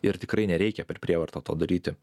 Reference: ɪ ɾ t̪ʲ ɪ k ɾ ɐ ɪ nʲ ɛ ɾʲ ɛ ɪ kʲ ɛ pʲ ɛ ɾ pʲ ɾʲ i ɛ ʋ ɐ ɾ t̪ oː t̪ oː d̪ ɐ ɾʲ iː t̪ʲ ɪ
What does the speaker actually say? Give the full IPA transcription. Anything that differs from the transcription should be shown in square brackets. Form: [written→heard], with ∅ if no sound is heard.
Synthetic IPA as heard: ɪ ɾ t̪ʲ ɪ k ɾ ɐ ɪ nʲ ɛ ɾʲ ɛ ɪ kʲ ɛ pʲ ɛ ɾ pʲ ɾʲ i ɛ ʋ ɐ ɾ t̪ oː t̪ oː d̪ ɐ ɾʲ iː t̪ʲ ɪ

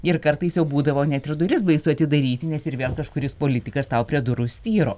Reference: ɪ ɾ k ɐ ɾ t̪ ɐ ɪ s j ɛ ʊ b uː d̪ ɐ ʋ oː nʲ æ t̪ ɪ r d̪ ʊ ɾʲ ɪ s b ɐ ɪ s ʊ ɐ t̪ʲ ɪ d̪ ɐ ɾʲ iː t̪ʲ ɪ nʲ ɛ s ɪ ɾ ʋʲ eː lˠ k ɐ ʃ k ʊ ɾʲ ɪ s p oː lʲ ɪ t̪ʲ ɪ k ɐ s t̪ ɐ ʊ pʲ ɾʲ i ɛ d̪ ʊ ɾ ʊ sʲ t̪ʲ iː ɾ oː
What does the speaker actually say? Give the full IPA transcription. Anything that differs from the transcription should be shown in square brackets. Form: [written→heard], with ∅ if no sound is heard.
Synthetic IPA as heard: ɪ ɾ k ɐ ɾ t̪ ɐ ɪ s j ɛ ʊ b uː d̪ ɐ ʋ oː nʲ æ t̪ ɪ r d̪ ʊ ɾʲ ɪ s b ɐ ɪ s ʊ ɐ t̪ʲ ɪ d̪ ɐ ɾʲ iː t̪ʲ ɪ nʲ ɛ s ɪ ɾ ʋʲ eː lˠ k ɐ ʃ k ʊ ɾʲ ɪ s p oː lʲ ɪ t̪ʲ ɪ k ɐ s t̪ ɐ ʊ pʲ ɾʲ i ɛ d̪ ʊ ɾ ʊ sʲ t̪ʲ iː ɾ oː

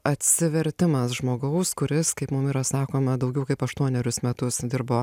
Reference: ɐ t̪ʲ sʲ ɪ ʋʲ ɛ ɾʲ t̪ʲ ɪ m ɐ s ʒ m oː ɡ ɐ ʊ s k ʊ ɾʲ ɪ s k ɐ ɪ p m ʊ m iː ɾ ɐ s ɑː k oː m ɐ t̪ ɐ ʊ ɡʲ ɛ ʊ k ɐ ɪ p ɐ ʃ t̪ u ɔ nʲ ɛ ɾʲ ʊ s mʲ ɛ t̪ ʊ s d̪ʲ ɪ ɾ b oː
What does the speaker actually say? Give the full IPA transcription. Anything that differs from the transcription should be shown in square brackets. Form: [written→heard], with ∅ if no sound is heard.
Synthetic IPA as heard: ɐ t̪ʲ sʲ ɪ ʋʲ ɛ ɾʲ t̪ʲ ɪ m ɐ s ʒ m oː ɡ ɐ ʊ s k ʊ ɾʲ ɪ s k ɐ ɪ p m ʊ m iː ɾ ɐ s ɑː k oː m ɐ [t̪→d̪] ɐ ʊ ɡʲ ɛ ʊ k ɐ ɪ p ɐ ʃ t̪ u ɔ nʲ ɛ ɾʲ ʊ s mʲ ɛ t̪ ʊ s d̪ʲ ɪ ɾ b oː

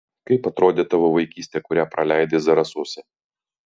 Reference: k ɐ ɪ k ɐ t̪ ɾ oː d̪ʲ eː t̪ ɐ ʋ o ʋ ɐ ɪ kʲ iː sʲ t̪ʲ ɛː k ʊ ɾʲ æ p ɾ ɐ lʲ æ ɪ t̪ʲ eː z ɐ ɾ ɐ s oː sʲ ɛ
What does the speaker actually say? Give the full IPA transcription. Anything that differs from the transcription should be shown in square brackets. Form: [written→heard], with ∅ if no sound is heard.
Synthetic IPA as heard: k ɐ ɪ [k→p] ɐ t̪ ɾ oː d̪ʲ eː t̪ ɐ ʋ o ʋ ɐ ɪ kʲ iː sʲ t̪ʲ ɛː k ʊ ɾʲ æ p ɾ ɐ lʲ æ ɪ [t̪ʲ→d̪ʲ] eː z ɐ ɾ ɐ s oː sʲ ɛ

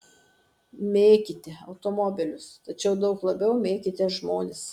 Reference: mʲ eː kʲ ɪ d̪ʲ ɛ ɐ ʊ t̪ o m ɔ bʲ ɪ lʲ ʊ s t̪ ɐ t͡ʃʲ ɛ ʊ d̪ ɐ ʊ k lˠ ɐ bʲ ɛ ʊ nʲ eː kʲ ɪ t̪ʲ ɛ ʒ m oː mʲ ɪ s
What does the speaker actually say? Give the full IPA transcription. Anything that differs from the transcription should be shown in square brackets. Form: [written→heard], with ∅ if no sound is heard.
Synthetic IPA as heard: mʲ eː kʲ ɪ [d̪ʲ→t̪ʲ] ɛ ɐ ʊ t̪ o m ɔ bʲ ɪ lʲ ʊ s t̪ ɐ t͡ʃʲ ɛ ʊ d̪ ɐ ʊ k lˠ ɐ bʲ ɛ ʊ [nʲ→mʲ] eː kʲ ɪ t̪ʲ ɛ ʒ m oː [mʲ→nʲ] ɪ s

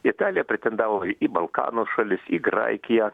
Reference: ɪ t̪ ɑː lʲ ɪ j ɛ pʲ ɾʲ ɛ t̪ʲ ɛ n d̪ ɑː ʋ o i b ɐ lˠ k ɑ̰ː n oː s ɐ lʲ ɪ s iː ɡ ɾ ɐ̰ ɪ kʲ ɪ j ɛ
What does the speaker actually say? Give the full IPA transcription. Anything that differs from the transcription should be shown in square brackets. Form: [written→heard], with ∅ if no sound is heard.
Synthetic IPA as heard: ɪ t̪ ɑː lʲ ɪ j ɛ pʲ ɾʲ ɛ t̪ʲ ɛ n d̪ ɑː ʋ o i b ɐ lˠ k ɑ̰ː n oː [s→ʃ] ɐ lʲ ɪ s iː ɡ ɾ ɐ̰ ɪ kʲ ɪ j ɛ

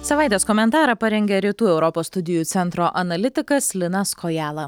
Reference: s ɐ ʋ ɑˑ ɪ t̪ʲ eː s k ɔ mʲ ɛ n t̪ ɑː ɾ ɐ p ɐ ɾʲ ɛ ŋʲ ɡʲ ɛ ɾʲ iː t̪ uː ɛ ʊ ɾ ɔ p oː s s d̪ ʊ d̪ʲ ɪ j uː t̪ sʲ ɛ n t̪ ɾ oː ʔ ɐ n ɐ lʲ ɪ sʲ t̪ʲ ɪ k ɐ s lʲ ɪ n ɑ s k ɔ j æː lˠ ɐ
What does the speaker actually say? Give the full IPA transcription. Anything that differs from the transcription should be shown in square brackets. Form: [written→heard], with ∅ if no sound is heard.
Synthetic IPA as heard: s ɐ ʋ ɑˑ ɪ t̪ʲ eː s k ɔ mʲ ɛ n t̪ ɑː ɾ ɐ p ɐ ɾʲ ɛ ŋʲ ɡʲ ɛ ɾʲ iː t̪ uː ɛ ʊ ɾ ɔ p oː s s [d̪→t̪] ʊ d̪ʲ ɪ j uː t̪ sʲ ɛ n t̪ ɾ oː ʔ ɐ n ɐ lʲ ɪ [sʲ→∅] t̪ʲ ɪ k ɐ s lʲ ɪ n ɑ s k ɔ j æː lˠ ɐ

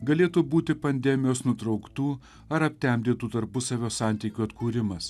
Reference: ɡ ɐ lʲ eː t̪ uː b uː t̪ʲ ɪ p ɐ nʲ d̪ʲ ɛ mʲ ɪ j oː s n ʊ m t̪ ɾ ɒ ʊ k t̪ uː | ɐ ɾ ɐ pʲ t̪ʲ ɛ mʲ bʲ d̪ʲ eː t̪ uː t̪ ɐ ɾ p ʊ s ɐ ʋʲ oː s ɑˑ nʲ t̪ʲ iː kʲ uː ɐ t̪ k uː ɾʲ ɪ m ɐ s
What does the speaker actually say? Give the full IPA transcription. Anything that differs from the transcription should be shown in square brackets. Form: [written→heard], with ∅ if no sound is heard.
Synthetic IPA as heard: ɡ ɐ lʲ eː t̪ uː b uː t̪ʲ ɪ p ɐ nʲ d̪ʲ ɛ mʲ ɪ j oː s n ʊ [m→∅] t̪ ɾ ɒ ʊ k t̪ uː | ɐ ɾ ɐ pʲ t̪ʲ ɛ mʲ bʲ d̪ʲ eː t̪ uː t̪ ɐ ɾ p ʊ s ɐ ʋʲ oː s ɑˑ nʲ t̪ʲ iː kʲ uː ɐ t̪ k uː ɾʲ ɪ m ɐ s

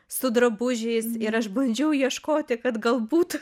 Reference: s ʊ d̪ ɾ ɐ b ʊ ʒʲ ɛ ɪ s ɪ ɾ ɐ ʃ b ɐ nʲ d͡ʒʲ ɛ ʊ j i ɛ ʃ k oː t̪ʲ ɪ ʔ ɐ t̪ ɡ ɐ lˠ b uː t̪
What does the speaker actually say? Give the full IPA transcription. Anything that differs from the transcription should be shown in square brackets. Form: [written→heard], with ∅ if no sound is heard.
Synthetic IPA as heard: s ʊ d̪ ɾ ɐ b ʊ ʒʲ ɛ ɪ s ɪ ɾ ɐ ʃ b ɐ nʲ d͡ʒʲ ɛ ʊ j i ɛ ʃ k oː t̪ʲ ɪ [ʔ→k] ɐ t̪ ɡ ɐ lˠ b uː t̪

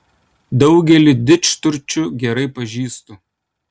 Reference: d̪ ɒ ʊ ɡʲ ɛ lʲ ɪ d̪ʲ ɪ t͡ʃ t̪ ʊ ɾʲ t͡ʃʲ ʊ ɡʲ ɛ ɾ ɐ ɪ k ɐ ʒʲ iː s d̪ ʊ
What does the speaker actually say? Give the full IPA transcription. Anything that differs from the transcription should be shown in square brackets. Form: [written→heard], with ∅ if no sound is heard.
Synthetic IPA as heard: d̪ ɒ ʊ ɡʲ ɛ lʲ ɪ d̪ʲ ɪ t͡ʃ t̪ ʊ ɾʲ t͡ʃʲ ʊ ɡʲ ɛ ɾ ɐ ɪ [k→p] ɐ ʒʲ iː s [d̪→t̪] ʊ

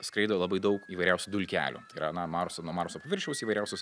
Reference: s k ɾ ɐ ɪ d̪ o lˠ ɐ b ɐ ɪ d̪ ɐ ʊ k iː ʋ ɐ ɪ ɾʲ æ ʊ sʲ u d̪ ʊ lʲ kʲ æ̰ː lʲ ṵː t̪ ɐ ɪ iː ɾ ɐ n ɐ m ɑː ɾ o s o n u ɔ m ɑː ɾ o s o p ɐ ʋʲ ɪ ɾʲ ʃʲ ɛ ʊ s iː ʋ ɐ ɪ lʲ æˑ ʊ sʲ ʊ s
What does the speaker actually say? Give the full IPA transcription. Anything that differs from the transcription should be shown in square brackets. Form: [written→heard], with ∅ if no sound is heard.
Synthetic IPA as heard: s k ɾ ɐ ɪ d̪ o lˠ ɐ b ɐ ɪ d̪ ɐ ʊ k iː ʋ ɐ ɪ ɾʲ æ ʊ sʲ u d̪ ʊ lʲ kʲ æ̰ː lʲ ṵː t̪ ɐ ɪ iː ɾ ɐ n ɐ m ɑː ɾ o s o n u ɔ m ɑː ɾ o s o p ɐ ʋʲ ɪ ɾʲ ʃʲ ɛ ʊ s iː ʋ ɐ ɪ [lʲ→ɾʲ] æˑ ʊ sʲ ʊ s

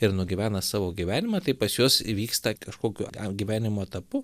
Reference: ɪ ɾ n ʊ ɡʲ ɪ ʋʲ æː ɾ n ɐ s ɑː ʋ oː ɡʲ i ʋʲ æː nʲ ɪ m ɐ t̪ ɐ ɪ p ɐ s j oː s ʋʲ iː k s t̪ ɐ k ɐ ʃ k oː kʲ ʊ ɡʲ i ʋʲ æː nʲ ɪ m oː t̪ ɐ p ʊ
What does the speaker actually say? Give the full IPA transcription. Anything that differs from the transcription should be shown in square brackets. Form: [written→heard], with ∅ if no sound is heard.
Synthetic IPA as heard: ɪ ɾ n ʊ ɡʲ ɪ ʋʲ æː [ɾ→∅] n ɐ s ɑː ʋ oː ɡʲ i ʋʲ æː nʲ ɪ m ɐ t̪ ɐ ɪ p ɐ s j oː s ʋʲ iː k s t̪ ɐ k ɐ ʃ k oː kʲ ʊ ɡʲ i ʋʲ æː nʲ ɪ m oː t̪ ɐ p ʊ

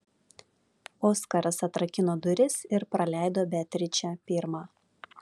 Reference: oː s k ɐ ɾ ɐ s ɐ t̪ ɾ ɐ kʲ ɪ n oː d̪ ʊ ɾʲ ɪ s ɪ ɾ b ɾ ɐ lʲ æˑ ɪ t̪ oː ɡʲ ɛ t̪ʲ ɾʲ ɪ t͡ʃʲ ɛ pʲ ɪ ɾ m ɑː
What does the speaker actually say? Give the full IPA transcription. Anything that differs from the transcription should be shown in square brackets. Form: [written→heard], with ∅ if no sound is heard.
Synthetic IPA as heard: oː s k ɐ ɾ ɐ s ɐ t̪ ɾ ɐ kʲ ɪ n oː d̪ ʊ ɾʲ ɪ s ɪ ɾ [b→p] ɾ ɐ lʲ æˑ ɪ [t̪→d̪] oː [ɡʲ→bʲ] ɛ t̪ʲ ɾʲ ɪ t͡ʃʲ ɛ pʲ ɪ ɾ m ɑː

